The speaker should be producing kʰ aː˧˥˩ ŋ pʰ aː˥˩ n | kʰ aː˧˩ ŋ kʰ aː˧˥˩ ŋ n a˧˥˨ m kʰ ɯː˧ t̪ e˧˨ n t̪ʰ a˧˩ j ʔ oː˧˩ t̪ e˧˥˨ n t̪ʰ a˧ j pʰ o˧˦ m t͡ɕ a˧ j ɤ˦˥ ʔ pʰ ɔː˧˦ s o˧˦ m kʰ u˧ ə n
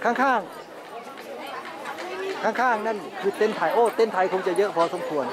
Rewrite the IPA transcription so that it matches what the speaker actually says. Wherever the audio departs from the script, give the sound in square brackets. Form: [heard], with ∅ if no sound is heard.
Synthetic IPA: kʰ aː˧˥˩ ŋ [kʰ] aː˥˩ [ŋ] | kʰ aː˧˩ ŋ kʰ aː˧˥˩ ŋ n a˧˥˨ [n] kʰ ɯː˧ t̪ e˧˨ n t̪ʰ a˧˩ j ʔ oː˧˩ t̪ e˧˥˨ n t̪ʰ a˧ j [kʰ] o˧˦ [ŋ] t͡ɕ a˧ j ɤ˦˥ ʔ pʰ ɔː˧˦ s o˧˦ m kʰ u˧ ə n